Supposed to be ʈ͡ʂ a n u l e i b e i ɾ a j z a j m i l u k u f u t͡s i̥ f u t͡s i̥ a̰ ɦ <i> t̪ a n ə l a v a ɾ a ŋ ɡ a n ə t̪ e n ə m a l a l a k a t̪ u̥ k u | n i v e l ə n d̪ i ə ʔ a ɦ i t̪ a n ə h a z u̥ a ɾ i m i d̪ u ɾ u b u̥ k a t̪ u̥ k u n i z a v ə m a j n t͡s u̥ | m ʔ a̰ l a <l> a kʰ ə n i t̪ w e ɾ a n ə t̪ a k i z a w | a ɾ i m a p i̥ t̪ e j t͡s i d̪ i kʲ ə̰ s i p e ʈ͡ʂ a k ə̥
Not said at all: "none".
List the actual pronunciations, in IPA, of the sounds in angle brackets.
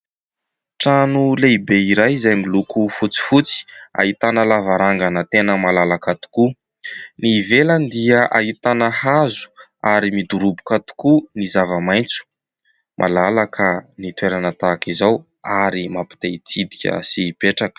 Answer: i, l

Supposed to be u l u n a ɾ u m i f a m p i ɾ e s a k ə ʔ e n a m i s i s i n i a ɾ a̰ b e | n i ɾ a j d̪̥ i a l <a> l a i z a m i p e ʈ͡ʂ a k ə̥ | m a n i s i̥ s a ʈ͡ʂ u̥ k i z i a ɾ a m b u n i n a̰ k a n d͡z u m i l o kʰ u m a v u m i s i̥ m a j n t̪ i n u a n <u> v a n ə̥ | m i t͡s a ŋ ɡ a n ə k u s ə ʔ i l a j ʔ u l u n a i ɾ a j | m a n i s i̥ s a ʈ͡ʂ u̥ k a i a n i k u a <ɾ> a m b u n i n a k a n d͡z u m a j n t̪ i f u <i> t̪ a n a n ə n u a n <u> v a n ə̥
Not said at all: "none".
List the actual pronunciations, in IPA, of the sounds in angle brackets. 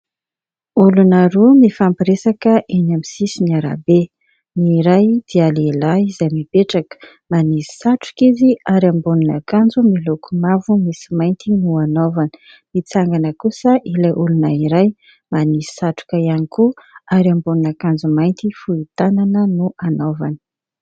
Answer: e, o, ɾ, i, o

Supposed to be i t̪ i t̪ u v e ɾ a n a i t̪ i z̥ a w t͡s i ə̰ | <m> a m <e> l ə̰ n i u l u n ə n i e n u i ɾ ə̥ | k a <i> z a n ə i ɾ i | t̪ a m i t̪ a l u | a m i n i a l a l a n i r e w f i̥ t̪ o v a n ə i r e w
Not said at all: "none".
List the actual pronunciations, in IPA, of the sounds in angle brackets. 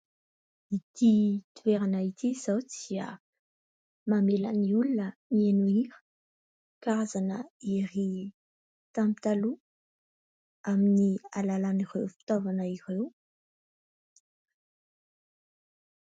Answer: m, e, a

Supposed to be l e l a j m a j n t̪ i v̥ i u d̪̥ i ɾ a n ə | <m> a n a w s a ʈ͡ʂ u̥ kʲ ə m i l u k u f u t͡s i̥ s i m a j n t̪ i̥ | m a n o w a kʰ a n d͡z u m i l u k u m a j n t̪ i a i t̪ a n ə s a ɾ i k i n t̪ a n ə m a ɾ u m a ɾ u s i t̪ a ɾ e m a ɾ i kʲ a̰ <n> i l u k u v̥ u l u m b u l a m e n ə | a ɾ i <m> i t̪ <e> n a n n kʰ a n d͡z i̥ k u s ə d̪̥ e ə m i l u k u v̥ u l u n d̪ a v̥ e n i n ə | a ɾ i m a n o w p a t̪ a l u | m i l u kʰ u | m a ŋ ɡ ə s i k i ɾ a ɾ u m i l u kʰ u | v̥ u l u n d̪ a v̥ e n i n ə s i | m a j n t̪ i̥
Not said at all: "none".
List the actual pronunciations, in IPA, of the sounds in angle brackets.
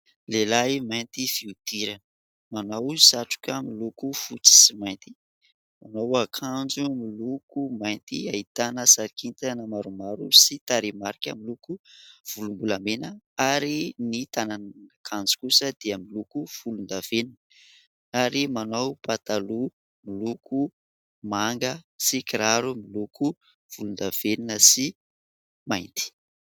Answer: m, m, n, a

